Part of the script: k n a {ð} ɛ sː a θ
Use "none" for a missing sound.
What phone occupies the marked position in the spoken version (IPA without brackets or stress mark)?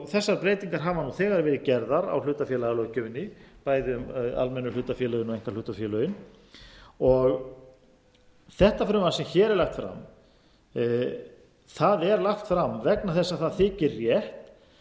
θ